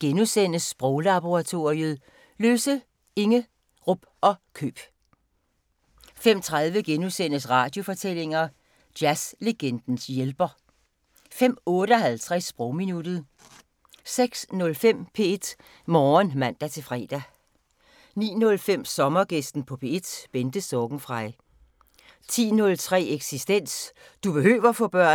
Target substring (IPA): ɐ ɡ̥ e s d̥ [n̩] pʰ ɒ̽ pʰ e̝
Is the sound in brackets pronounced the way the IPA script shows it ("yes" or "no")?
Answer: yes